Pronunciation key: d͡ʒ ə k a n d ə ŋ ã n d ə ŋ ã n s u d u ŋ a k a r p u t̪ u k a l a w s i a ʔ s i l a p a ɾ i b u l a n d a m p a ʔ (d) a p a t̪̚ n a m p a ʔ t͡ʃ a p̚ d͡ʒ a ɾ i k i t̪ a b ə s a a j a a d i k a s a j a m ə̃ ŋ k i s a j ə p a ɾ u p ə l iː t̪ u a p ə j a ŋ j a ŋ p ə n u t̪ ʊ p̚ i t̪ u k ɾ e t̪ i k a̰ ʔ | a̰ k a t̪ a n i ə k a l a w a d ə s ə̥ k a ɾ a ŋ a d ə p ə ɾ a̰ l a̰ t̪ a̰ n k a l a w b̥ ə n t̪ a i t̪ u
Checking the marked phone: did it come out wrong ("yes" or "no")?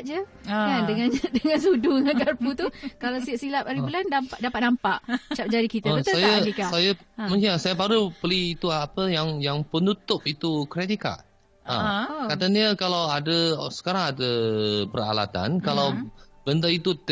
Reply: no